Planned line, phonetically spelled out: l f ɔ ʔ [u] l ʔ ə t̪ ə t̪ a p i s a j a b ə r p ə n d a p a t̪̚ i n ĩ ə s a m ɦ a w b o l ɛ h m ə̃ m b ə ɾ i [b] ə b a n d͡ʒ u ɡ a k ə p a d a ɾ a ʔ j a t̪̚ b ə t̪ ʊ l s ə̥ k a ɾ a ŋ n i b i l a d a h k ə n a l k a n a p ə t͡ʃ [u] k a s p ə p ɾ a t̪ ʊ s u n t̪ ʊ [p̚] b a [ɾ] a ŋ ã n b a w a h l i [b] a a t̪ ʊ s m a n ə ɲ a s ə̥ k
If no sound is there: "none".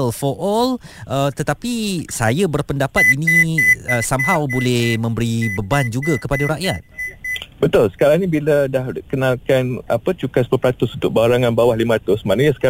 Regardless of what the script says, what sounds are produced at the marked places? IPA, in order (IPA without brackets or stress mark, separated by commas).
ɔ, b, u, k̚, ɾ, m